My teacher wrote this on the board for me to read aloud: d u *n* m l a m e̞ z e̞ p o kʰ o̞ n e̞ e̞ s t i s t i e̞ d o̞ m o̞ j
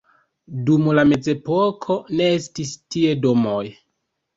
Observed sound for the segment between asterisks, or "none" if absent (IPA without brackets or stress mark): none